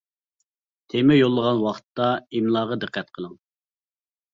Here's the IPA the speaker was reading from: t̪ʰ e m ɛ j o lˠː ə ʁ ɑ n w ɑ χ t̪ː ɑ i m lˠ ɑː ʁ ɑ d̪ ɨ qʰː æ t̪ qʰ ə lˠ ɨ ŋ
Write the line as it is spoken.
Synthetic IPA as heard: t̪ʰ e m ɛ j o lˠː ə ʁ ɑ n w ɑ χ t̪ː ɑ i m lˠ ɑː ʁ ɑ d̪ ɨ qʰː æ t̪ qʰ ə lˠ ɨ ŋ